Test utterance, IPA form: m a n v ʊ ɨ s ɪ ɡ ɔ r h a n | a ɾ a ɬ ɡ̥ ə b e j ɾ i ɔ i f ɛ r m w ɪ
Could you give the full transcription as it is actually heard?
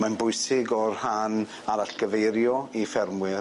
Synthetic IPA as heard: m a n b ʊ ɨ s ɪ ɡ ɔ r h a n | a ɾ a ɬ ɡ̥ ə v e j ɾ j ɔ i f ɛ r m w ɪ